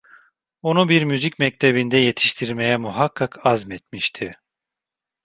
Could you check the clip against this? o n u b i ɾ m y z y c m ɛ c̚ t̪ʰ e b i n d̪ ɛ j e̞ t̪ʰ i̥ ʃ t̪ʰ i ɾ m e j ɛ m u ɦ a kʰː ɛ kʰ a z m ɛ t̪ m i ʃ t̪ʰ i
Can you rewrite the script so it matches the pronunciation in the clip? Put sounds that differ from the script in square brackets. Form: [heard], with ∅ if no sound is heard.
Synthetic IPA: o n u b i ɾ m y z [i] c m ɛ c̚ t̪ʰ e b i n d̪ ɛ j e̞ t̪ʰ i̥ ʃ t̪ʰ i ɾ m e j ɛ m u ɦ a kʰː [a] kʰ a z m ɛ t̪ m i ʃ t̪ʰ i